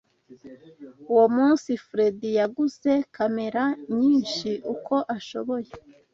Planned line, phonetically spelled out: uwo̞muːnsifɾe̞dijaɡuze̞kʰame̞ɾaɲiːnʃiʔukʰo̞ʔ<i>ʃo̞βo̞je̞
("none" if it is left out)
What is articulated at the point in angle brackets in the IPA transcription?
a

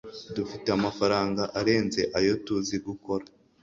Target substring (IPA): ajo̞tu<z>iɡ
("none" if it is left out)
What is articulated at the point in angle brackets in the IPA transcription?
z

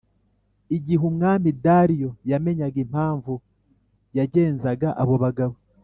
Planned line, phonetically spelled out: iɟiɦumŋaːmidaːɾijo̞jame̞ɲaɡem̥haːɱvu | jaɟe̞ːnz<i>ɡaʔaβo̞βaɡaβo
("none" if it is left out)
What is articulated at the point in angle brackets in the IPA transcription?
a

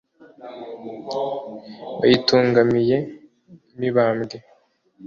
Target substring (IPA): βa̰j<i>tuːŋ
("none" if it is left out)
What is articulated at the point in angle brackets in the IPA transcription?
i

